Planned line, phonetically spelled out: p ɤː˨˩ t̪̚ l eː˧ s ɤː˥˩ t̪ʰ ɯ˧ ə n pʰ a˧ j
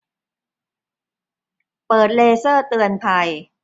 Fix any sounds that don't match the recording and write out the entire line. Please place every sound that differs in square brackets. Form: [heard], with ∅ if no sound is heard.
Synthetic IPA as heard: p ɤː˨˩ t̪̚ l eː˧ s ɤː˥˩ [t̪] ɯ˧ ə n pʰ a˧ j